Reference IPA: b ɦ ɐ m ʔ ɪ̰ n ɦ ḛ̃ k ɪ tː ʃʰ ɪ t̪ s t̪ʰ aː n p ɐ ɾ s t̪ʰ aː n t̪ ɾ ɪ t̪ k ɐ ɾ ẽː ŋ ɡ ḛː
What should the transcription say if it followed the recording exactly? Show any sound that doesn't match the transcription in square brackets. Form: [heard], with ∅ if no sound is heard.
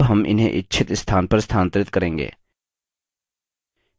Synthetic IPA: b ɦ ɐ m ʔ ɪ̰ n ɦ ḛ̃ [ʔ] ɪ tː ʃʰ ɪ t̪ s t̪ʰ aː n p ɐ ɾ s t̪ʰ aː n t̪ ɾ ɪ t̪ k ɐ ɾ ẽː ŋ ɡ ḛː